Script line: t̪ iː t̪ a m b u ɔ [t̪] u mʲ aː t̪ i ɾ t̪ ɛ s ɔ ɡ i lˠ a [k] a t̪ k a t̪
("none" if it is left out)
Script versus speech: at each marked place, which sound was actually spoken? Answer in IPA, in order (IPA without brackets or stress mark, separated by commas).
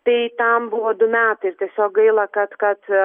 d̪, k